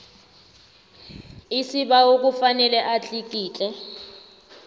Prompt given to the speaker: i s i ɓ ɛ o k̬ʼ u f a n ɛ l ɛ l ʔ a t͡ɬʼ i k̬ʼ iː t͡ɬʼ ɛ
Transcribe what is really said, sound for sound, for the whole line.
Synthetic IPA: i s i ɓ a o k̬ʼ u f a n ɛ l ɛ ʔ a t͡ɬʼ i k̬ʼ iː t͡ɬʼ ɛ